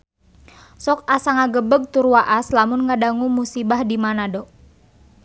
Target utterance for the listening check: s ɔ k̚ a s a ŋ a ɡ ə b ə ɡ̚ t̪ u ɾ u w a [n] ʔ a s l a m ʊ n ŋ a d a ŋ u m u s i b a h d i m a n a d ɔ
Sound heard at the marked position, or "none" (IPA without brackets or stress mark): none